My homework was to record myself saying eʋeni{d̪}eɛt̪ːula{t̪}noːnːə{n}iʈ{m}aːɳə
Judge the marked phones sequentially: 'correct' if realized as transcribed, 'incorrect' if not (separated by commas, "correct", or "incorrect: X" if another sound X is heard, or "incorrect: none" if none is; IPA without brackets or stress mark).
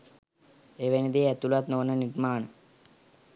correct, correct, correct, correct